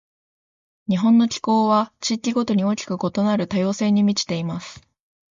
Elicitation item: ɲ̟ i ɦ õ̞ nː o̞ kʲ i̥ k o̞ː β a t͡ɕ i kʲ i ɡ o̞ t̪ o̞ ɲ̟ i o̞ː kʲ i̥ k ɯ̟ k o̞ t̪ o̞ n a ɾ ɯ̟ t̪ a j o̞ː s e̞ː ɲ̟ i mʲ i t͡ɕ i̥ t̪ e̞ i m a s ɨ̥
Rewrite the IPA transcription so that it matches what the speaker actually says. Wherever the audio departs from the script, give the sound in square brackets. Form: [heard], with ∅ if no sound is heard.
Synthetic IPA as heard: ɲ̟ i ɦ õ̞ nː o̞ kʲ i̥ k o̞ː β a t͡ɕ i kʲ i ɡ o̞ t̪ o̞ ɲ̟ i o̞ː kʲ i̥ k ɯ̟ k o̞ t̪ o̞ n a ɾ ɯ̟ t̪ a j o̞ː s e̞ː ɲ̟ i mʲ i t͡ɕ i̥ t̪ e̞ i m a s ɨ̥